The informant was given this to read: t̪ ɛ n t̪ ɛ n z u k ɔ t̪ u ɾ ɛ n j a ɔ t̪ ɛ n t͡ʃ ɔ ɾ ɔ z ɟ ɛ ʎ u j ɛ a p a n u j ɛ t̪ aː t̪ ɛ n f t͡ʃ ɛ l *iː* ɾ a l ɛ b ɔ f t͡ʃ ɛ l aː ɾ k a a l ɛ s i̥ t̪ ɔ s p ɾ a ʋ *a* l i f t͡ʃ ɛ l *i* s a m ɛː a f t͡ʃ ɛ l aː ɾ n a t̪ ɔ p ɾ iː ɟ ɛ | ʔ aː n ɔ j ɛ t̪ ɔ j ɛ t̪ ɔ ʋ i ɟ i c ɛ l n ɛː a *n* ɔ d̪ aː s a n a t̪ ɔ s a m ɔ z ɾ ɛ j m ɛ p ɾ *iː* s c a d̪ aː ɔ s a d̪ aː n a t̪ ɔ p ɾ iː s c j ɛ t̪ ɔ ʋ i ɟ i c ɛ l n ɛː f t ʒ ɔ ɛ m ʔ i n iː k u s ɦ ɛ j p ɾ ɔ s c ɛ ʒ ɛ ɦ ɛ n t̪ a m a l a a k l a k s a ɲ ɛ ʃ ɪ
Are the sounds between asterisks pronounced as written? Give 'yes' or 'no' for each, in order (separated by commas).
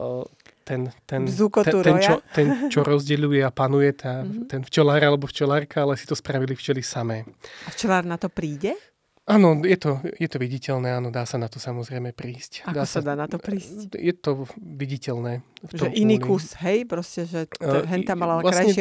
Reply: no, no, yes, yes, yes